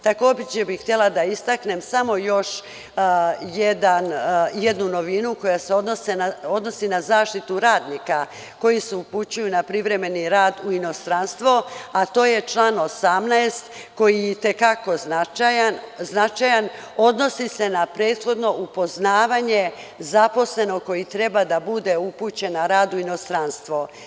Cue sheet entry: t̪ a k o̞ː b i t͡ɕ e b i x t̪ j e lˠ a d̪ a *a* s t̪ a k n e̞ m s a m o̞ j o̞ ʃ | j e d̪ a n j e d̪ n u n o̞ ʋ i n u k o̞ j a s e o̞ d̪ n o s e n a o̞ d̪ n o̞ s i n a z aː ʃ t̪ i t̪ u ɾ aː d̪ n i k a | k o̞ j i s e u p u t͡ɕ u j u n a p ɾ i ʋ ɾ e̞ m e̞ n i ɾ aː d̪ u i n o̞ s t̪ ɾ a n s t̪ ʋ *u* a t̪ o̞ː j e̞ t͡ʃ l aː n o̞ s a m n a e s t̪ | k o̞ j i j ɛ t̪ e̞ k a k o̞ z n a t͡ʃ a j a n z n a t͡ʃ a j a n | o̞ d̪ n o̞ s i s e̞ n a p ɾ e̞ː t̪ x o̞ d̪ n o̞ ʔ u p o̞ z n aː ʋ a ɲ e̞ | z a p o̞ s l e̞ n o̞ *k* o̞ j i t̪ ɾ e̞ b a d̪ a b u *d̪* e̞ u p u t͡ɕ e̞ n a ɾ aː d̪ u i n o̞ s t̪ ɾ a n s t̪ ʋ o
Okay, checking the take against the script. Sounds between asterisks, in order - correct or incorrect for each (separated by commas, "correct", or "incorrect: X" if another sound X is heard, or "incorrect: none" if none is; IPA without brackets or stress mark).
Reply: incorrect: i, incorrect: o, correct, correct